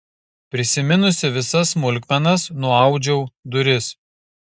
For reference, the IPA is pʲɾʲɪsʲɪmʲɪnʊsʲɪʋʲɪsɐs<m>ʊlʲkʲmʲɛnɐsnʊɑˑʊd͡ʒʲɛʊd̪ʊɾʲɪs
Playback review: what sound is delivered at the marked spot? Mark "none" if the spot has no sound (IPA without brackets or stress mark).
m